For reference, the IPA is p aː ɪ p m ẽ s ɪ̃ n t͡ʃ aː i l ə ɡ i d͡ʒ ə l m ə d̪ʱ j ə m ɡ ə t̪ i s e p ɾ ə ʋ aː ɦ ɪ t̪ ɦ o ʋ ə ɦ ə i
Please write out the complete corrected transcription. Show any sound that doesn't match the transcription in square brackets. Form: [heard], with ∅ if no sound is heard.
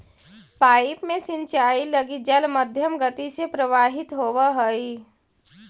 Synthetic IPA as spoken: p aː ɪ p m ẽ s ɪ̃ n t͡ʃ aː i l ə ɡ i d͡ʒ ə l m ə d̪ʱ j ə m ɡ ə t̪ i s e p ɾ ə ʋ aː ɦ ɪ t̪ ɦ o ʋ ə ɦ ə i